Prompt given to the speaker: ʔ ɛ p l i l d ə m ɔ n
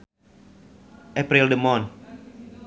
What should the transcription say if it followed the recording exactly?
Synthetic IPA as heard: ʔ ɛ p ɾ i l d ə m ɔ n